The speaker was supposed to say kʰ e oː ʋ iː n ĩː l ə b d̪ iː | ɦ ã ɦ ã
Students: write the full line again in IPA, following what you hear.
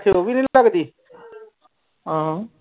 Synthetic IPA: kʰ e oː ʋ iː n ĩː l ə ɡ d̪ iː | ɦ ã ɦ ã